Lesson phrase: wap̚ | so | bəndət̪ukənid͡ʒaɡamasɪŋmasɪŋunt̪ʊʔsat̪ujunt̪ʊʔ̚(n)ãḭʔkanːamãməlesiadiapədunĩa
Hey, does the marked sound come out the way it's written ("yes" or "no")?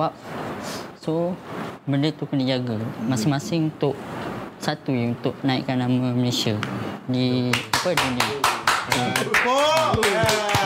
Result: yes